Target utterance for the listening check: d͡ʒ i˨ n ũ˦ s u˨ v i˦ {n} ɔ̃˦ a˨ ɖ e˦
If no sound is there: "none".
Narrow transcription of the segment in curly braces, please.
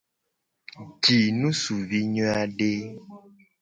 ɲ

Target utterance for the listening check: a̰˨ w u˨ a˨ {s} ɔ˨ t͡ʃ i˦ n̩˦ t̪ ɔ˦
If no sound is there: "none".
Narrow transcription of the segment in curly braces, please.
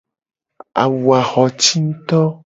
x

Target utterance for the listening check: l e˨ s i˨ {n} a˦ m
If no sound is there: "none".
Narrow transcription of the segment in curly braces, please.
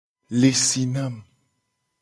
n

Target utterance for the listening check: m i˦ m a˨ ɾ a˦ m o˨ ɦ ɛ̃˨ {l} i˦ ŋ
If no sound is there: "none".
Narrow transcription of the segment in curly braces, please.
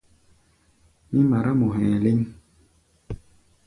l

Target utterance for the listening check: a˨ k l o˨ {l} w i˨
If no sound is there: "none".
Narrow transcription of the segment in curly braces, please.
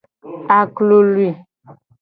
l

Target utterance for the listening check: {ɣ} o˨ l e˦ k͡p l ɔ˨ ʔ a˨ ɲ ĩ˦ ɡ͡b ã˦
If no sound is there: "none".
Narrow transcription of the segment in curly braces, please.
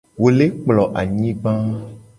w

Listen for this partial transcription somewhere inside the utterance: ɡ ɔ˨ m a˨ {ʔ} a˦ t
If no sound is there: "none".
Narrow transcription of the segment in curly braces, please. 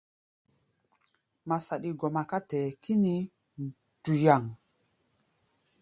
k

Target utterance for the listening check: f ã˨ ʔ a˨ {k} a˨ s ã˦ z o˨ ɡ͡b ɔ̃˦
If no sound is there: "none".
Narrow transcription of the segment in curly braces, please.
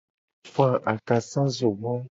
k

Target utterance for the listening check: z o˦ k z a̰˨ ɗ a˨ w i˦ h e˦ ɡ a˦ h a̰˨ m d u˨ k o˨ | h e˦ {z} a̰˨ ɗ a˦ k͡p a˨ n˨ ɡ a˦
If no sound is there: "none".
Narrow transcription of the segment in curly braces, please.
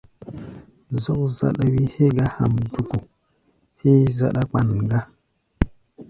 z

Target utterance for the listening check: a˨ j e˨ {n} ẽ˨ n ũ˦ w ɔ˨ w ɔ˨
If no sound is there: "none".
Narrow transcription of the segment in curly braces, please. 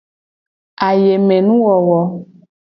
m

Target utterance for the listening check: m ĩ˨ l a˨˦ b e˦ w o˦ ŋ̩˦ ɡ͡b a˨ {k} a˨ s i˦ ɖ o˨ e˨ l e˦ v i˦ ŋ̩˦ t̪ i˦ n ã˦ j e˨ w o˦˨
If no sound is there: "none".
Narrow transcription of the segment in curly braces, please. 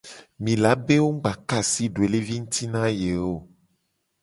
k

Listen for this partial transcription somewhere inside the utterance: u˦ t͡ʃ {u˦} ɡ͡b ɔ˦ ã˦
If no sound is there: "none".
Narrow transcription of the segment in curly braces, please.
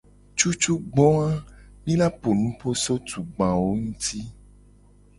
u˦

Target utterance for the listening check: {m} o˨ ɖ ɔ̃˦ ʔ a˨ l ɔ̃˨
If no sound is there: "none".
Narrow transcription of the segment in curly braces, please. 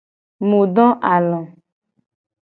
m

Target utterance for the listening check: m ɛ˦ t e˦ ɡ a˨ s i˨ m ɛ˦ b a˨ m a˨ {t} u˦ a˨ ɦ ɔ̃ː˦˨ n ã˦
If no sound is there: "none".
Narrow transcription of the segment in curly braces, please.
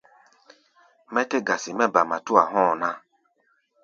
t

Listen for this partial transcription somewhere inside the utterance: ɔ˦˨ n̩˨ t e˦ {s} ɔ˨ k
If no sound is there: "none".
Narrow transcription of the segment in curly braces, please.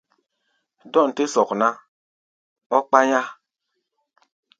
s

